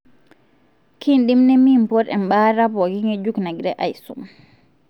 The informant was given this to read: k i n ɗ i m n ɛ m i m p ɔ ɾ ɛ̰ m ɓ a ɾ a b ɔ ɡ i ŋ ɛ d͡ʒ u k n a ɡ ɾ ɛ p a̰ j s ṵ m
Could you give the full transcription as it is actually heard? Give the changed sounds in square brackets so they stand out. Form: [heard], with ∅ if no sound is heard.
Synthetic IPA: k i n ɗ i m n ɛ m i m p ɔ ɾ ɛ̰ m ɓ a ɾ a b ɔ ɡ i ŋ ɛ d͡ʒ u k n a ɡ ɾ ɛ [ʔ] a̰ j s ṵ m